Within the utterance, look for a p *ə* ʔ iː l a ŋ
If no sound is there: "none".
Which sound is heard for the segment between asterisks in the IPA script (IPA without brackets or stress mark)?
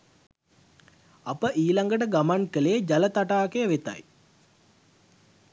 ə